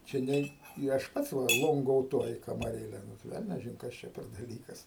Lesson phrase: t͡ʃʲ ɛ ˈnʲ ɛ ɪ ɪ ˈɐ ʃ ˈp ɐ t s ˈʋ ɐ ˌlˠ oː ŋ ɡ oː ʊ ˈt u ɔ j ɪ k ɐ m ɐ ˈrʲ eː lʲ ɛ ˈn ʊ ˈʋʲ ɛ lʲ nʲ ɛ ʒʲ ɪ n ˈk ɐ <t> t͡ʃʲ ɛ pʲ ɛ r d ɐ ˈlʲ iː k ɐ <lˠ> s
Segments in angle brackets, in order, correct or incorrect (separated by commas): incorrect, incorrect